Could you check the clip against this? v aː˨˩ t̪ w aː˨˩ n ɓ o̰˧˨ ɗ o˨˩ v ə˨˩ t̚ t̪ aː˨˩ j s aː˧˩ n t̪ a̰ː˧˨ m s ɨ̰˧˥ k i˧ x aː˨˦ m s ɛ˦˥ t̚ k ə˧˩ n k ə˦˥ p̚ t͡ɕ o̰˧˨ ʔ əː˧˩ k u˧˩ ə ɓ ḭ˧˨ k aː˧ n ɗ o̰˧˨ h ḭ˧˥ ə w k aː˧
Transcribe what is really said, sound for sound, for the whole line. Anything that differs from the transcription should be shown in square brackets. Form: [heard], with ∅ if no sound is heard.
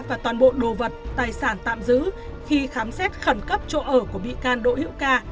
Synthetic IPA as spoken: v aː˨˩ t̪ w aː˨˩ n ɓ o̰˧˨ ɗ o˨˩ v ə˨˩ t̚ t̪ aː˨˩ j s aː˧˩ n t̪ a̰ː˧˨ m [z] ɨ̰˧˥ [x] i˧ x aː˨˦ m s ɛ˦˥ t̚ [x] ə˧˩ n k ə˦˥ p̚ t͡ɕ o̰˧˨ ʔ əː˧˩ k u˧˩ ə ɓ ḭ˧˨ k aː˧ n ɗ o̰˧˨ h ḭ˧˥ ə w k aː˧